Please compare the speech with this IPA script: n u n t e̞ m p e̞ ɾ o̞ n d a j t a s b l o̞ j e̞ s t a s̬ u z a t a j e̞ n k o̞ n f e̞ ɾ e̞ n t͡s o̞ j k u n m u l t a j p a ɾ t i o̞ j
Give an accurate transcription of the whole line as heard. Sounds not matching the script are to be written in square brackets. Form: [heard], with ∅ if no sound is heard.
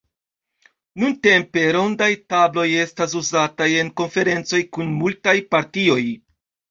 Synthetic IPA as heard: n u n t e̞ m p e̞ ɾ o̞ n d a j t a [∅] b l o̞ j e̞ s t a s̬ u z a t a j e̞ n k o̞ n f e̞ ɾ e̞ n t͡s o̞ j k u n m u l t a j p a ɾ t i o̞ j